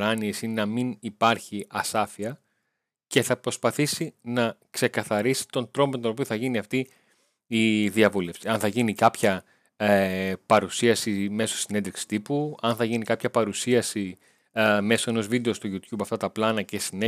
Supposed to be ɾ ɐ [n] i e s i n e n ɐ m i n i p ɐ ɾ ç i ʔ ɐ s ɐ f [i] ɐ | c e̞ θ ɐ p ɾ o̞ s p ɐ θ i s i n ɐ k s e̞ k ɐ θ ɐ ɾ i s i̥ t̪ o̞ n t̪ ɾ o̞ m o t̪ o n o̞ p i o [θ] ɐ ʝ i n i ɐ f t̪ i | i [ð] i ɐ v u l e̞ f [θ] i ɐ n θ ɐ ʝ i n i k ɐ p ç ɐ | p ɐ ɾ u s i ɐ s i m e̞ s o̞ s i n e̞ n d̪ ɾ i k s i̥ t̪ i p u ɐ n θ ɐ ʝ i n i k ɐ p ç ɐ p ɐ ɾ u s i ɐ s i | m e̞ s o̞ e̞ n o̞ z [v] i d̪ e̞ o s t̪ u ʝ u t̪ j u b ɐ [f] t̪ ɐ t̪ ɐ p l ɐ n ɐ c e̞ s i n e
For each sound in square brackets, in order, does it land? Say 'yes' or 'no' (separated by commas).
yes, yes, yes, yes, no, yes, yes